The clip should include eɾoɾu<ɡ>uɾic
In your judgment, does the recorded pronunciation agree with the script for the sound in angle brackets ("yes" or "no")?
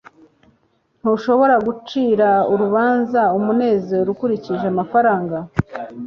no